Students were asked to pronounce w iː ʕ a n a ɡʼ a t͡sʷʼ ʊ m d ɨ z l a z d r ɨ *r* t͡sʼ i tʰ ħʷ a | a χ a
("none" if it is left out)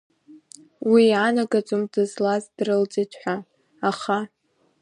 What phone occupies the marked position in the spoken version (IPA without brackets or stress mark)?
l